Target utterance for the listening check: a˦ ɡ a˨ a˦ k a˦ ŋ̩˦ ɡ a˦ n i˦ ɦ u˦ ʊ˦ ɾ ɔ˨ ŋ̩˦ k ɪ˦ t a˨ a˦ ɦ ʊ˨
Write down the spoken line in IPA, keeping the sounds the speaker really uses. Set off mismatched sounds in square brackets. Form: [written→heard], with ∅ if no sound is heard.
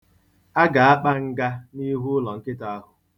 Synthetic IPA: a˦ ɡ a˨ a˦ [k→k͡p] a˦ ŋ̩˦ ɡ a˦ n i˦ ɦ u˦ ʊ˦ [ɾ→l] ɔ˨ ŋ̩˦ k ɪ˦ t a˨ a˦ ɦ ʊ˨